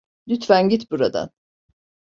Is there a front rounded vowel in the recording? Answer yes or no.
yes